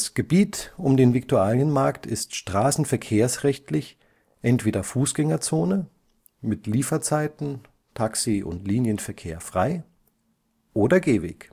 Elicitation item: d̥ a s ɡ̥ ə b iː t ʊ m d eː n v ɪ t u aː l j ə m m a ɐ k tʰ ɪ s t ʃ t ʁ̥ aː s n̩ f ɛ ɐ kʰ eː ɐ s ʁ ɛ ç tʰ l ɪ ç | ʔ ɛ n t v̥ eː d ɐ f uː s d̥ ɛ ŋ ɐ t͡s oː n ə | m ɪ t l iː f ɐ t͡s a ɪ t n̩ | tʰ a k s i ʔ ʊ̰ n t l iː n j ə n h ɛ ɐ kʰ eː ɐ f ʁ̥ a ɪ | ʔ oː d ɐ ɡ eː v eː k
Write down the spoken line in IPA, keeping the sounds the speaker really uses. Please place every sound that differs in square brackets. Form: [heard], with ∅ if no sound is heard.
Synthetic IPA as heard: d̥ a s ɡ̥ ə b iː t ʊ m d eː n v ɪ t u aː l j ə [n] m a ɐ k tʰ ɪ s t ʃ t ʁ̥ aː s n̩ f ɛ ɐ kʰ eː ɐ s ʁ ɛ ç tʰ l ɪ ç | ʔ ɛ n t v̥ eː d ɐ f uː s [ɡ̥] ɛ ŋ ɐ t͡s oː n ə | m ɪ t l iː f ɐ t͡s a ɪ t n̩ | tʰ a k s i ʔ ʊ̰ n t l iː n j ə n [f] ɛ ɐ kʰ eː ɐ f ʁ̥ a ɪ | ʔ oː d ɐ ɡ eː v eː k